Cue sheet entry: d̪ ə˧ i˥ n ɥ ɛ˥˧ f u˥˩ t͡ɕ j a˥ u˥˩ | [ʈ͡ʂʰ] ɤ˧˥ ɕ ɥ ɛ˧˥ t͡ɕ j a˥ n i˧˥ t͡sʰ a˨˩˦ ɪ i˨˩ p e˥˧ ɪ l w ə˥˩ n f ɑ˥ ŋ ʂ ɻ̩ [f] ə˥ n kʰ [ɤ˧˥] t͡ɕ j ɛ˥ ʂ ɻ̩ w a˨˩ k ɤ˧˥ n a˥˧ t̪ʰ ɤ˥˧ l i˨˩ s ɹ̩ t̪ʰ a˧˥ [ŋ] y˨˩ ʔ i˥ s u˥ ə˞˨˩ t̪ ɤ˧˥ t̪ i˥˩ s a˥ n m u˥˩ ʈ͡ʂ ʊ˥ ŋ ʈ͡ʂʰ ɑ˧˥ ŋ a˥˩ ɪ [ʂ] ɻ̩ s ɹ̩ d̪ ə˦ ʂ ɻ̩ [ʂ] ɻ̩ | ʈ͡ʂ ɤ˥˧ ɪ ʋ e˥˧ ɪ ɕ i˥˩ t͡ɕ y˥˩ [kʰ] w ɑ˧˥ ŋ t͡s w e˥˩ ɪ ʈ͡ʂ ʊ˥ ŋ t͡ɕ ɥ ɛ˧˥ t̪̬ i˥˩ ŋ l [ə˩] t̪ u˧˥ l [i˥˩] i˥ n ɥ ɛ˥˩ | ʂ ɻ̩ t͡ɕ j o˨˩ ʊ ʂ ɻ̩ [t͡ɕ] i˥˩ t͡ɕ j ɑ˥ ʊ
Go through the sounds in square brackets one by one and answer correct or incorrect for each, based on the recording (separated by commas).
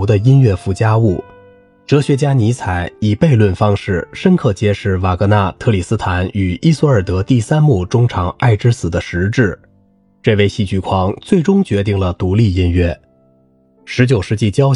incorrect, incorrect, incorrect, incorrect, incorrect, incorrect, correct, correct, correct, correct